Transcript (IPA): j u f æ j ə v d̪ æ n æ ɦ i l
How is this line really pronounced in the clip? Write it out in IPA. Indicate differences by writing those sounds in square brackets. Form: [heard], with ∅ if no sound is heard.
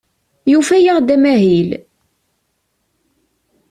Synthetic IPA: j u f æ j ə [ʁ] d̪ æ [m] æ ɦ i l